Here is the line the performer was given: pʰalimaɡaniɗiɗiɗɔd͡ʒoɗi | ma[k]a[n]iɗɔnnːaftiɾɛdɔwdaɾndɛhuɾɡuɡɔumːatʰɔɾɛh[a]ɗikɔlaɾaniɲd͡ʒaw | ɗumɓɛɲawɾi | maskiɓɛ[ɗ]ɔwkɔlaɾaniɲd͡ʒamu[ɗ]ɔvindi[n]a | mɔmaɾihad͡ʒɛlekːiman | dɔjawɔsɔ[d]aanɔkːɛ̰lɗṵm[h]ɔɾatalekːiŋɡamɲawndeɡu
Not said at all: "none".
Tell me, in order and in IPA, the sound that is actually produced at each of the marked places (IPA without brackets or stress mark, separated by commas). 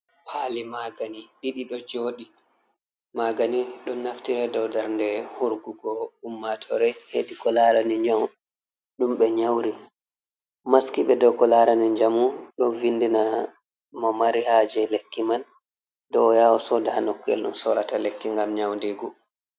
ɡ, n, e, d, ɗ, n, d, s